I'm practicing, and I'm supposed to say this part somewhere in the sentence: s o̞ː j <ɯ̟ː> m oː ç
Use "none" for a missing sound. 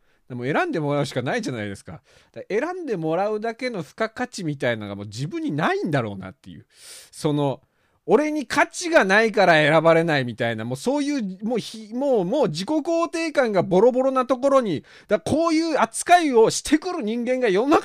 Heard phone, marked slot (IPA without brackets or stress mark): ɯ̟ː